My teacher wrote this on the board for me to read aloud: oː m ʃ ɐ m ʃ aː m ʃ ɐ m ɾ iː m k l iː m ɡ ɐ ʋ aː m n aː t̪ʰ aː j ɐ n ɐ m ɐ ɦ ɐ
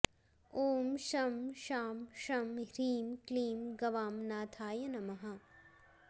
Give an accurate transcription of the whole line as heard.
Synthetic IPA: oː m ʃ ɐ m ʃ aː m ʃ ɐ m ɾ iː m k l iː m ɡ ɐ ʋ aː m n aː t̪ʰ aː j ɐ n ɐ m ɐ ɦ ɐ